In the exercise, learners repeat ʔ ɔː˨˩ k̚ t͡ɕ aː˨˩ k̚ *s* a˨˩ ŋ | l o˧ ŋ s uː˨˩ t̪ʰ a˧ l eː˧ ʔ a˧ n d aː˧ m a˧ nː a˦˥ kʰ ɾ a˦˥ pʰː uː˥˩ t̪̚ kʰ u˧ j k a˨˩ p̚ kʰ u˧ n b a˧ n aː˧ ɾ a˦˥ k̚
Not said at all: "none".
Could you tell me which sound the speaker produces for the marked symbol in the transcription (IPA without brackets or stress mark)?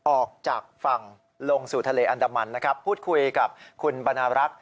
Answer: f